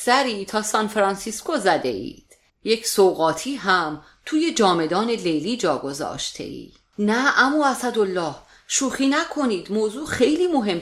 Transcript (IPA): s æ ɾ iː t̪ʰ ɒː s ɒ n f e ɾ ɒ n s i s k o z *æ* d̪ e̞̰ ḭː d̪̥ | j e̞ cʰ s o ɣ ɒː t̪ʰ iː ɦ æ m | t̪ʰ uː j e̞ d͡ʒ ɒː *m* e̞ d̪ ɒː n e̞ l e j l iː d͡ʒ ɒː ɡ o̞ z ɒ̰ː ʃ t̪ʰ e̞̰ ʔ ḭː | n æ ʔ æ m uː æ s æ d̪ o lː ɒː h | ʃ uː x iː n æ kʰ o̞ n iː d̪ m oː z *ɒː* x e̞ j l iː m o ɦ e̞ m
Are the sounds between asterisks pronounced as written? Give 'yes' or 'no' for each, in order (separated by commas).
yes, yes, no